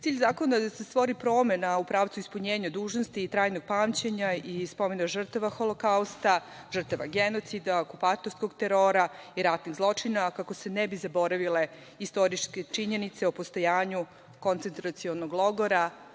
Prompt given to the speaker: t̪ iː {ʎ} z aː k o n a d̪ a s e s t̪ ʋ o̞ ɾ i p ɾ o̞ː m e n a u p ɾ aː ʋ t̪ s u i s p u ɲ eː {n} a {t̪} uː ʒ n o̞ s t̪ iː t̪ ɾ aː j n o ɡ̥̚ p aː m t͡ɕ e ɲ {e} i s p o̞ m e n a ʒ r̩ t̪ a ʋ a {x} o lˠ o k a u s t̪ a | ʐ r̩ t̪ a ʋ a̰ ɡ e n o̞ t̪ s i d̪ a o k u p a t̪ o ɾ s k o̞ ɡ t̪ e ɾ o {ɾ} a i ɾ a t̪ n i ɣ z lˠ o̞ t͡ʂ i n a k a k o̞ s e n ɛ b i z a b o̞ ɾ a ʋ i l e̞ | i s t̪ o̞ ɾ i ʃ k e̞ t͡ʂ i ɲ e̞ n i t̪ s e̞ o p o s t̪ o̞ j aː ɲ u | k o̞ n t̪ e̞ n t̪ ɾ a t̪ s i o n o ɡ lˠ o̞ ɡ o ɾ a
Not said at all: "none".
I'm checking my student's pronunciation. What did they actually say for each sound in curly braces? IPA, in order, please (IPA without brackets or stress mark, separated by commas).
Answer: ʎ, ɲ, d̪, a, x, ɾ